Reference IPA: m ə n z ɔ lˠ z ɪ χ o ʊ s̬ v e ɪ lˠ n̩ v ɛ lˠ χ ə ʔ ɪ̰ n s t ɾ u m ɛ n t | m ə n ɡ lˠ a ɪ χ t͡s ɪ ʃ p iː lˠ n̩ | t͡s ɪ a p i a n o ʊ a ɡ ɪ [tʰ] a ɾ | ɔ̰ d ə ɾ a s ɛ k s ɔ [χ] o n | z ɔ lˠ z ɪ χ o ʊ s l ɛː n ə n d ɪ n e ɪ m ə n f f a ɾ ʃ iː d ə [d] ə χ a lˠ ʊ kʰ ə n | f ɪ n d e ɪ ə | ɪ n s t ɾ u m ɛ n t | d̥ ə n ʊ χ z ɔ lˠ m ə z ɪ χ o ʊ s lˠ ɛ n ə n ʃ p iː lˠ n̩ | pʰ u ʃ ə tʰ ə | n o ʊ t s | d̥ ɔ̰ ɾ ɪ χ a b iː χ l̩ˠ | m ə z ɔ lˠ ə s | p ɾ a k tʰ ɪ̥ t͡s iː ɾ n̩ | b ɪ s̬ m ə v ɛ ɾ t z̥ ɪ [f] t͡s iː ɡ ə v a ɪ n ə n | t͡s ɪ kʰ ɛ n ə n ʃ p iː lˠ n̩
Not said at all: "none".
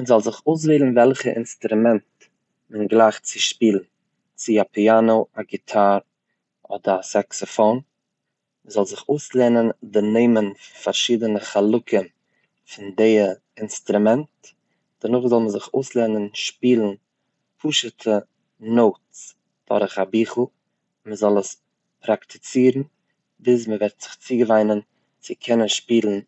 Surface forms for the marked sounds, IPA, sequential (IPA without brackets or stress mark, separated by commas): tʰ, f, n, χ